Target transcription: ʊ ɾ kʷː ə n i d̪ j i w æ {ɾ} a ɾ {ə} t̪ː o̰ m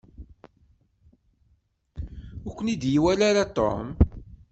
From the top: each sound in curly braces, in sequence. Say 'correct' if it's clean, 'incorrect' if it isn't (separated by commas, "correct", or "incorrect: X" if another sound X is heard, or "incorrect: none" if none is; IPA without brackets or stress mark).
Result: incorrect: l, incorrect: a